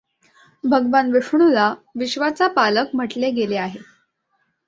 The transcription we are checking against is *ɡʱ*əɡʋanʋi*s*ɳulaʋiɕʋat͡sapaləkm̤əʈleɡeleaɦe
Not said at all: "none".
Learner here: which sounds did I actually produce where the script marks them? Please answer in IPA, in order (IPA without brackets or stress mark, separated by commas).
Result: bʱ, ʂ